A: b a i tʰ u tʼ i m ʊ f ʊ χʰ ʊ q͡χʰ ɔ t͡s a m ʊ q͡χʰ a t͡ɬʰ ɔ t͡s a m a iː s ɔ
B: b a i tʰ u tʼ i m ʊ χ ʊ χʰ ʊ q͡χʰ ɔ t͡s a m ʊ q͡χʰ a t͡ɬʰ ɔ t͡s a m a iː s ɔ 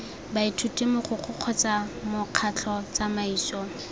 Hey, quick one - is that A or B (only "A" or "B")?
B